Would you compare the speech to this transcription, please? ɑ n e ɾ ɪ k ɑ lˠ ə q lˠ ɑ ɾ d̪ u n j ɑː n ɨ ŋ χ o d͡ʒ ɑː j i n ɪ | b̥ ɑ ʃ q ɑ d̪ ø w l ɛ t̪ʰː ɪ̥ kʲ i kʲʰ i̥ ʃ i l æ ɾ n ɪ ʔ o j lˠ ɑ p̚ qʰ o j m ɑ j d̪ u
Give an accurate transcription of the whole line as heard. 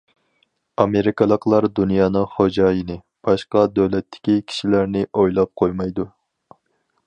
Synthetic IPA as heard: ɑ m e ɾ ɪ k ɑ lˠ ə q lˠ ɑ ɾ d̪ u n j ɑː n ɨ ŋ χ o d͡ʒ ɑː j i n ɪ | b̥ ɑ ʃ q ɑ d̪ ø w l ɛ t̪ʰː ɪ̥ kʲ i kʲʰ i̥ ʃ i l æ ɾ n ɪ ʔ o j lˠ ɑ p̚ qʰ o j m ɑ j d̪ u